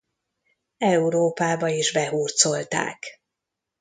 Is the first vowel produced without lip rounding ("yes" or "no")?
yes